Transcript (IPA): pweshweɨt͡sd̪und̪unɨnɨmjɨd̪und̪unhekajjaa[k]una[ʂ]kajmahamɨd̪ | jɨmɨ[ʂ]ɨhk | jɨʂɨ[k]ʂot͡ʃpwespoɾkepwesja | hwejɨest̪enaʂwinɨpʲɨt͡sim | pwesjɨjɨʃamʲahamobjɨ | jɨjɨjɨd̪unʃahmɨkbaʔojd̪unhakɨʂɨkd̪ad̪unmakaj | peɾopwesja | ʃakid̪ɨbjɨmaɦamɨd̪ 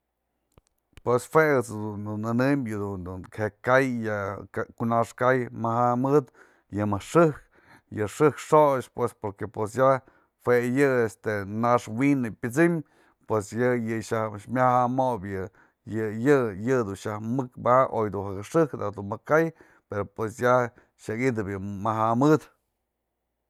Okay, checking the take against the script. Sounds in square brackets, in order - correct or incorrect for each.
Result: correct, correct, correct, correct

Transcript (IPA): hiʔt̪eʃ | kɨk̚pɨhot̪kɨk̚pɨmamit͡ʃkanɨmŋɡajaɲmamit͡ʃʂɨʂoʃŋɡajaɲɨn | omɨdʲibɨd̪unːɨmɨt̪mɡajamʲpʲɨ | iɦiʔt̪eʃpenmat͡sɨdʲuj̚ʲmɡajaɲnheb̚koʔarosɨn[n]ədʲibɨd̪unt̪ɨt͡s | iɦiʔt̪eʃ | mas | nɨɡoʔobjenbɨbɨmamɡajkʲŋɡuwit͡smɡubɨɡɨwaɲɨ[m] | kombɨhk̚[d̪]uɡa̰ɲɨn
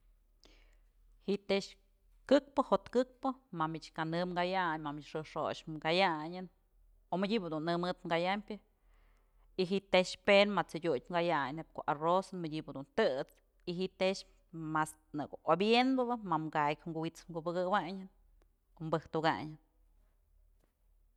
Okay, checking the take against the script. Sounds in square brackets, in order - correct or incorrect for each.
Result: incorrect, incorrect, incorrect

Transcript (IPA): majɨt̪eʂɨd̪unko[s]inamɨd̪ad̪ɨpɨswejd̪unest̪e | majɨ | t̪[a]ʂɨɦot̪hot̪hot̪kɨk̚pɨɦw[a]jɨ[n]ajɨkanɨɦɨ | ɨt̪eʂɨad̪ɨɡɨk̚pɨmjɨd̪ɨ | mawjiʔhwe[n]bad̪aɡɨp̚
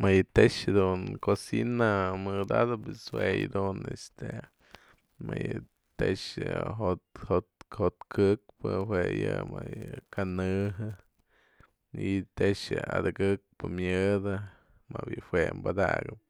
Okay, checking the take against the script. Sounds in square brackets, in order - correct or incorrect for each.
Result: correct, incorrect, incorrect, incorrect, incorrect

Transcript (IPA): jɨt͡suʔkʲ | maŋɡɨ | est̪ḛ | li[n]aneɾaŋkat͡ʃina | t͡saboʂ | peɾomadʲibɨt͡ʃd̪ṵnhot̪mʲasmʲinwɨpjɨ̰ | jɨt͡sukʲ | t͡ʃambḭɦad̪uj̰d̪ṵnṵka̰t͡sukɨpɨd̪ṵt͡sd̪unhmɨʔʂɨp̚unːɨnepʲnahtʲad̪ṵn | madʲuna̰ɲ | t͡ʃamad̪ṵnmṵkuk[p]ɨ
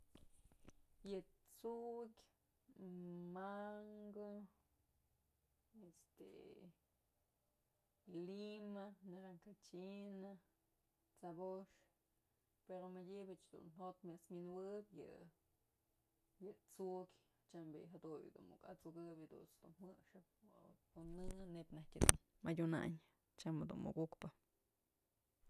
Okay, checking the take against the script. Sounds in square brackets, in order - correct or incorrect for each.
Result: incorrect, correct

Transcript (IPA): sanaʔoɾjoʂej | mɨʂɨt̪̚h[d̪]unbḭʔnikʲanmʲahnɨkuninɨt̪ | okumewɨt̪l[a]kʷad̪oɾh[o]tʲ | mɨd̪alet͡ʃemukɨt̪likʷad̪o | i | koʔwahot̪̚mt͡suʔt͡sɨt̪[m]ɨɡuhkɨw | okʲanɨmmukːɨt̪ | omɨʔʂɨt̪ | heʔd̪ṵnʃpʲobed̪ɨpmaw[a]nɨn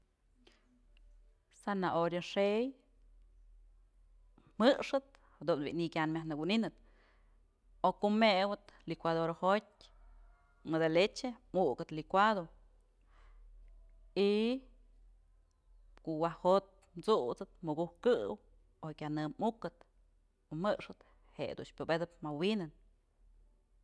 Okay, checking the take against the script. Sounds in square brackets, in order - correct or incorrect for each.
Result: correct, incorrect, correct, correct, incorrect

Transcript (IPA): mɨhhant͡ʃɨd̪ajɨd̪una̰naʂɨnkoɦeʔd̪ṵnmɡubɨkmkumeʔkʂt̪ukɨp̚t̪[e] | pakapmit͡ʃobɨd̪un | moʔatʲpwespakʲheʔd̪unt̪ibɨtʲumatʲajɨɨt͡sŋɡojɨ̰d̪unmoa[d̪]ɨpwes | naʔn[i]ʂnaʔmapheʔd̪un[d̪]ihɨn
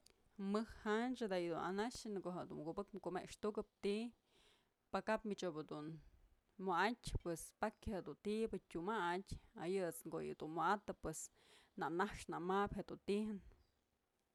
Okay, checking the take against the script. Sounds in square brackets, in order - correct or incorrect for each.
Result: incorrect, incorrect, incorrect, incorrect

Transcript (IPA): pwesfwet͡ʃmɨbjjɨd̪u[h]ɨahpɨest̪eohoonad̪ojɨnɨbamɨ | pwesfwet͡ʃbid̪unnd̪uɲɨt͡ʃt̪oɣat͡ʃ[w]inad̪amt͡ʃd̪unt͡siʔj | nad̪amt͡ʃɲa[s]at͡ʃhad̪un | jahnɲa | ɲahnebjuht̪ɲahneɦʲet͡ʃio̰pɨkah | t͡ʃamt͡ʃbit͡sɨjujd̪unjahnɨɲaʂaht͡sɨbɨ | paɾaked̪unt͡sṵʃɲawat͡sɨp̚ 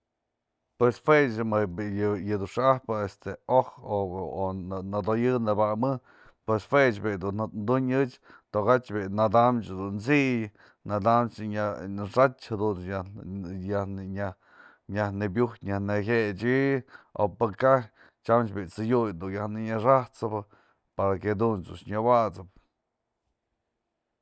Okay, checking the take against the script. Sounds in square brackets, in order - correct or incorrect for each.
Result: incorrect, incorrect, incorrect

